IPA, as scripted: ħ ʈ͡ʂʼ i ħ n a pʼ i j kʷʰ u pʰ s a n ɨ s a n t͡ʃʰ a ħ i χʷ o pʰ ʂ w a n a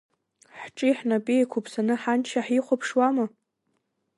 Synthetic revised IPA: ħ ʈ͡ʂʼ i ħ n a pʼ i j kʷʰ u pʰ s a n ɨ ħ a n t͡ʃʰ a ħ i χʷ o pʰ ʂ w a m a